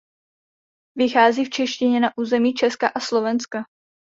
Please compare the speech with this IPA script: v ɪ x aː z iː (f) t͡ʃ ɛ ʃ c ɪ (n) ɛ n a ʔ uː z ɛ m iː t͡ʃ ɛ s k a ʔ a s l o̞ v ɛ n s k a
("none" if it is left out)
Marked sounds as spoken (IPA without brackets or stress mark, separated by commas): f, ɲ